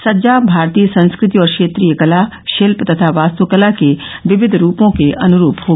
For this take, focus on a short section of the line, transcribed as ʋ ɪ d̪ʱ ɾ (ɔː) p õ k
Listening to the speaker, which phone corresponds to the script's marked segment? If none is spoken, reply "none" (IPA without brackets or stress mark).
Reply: uː